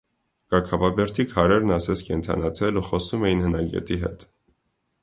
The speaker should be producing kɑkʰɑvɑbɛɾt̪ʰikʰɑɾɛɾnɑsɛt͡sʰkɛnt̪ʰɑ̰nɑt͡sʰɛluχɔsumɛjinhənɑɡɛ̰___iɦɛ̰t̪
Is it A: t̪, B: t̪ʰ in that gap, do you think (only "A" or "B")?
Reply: A